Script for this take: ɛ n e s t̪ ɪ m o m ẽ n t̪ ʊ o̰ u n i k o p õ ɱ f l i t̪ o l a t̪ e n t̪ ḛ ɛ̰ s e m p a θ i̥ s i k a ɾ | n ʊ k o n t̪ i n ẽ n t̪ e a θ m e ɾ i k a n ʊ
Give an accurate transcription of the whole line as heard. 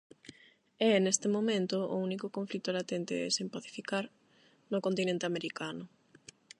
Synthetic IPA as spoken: ɛ n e s t̪ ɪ m o m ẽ n t̪ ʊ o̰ u n i k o k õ ɱ f l i t̪ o l a t̪ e n t̪ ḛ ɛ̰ s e m p a θ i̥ f i k a ɾ | n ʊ k o n t̪ i n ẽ n t̪ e a m e ɾ i k a n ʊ